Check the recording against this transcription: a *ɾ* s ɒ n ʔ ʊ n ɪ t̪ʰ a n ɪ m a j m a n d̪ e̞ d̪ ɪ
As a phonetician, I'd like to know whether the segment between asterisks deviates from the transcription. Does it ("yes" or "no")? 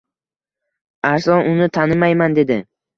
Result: no